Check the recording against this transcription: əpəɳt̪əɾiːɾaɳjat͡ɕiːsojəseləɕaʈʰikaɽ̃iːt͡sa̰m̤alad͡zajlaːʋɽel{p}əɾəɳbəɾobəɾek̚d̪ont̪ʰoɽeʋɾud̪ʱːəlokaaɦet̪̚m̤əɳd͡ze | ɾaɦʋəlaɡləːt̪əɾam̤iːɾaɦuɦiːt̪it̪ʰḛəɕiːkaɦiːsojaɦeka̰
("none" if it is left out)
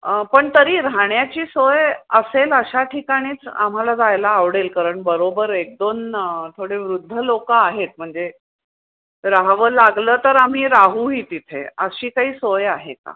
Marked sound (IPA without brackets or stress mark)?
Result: k